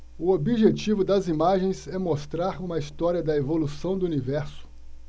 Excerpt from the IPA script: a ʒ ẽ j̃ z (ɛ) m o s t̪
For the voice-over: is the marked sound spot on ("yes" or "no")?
yes